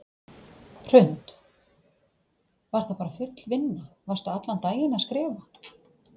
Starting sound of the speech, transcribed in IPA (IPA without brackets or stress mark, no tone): r̥